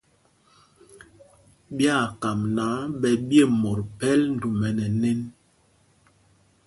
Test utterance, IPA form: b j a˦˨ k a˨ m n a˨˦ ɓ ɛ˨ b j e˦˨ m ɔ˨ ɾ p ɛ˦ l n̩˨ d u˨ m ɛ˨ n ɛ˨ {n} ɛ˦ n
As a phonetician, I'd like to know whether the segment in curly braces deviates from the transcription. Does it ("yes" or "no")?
no